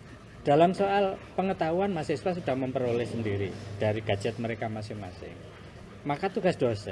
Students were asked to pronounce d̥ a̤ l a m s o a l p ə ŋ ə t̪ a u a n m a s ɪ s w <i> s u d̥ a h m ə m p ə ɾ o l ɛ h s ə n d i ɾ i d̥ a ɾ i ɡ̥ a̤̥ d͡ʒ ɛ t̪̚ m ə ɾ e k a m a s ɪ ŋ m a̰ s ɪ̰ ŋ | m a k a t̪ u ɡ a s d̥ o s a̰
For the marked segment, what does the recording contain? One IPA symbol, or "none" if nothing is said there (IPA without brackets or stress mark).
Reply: a